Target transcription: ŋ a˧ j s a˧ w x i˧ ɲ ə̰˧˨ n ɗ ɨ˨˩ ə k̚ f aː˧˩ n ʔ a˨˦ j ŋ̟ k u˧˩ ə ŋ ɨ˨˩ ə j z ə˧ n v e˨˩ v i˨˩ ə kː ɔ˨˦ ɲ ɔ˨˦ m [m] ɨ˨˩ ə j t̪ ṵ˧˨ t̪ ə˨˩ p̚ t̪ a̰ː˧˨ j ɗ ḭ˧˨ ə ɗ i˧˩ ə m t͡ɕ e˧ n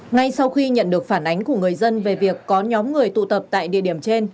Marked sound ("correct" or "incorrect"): incorrect